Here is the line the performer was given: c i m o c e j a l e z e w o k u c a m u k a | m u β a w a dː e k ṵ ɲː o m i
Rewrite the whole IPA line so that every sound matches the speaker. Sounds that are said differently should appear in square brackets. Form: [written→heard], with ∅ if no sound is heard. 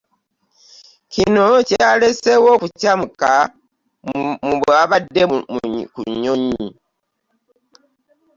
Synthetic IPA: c i [m→n] o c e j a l e [z→s] e w o k u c a m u k a | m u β a [w→β] a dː e k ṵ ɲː o [m→ɲ] i